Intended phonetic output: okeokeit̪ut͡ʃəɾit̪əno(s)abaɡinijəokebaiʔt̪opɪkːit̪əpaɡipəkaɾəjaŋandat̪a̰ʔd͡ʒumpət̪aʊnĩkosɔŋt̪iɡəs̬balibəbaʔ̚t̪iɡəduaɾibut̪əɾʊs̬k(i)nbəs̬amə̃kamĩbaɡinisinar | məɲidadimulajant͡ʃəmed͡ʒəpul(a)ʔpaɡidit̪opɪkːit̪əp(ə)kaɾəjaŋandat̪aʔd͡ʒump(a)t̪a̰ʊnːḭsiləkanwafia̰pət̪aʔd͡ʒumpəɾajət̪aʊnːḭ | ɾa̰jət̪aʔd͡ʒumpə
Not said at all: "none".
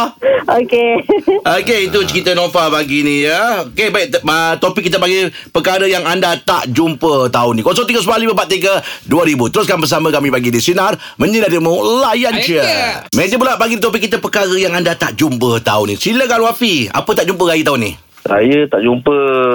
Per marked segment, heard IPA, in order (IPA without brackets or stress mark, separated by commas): f, a, a, ə, ə